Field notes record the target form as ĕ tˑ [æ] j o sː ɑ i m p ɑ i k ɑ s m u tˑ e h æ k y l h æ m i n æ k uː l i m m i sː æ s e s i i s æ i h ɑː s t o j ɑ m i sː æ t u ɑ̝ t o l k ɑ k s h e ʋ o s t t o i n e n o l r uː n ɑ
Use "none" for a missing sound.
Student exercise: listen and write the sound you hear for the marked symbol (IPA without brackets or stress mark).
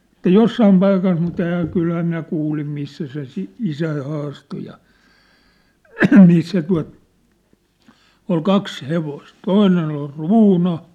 æ